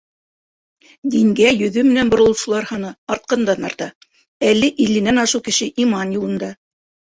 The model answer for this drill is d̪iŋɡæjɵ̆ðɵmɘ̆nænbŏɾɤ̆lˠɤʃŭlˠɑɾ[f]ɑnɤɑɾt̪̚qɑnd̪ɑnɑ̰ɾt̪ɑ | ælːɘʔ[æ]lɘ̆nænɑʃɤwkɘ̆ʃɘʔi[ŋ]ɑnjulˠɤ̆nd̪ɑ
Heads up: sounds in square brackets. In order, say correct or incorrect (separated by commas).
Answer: incorrect, incorrect, incorrect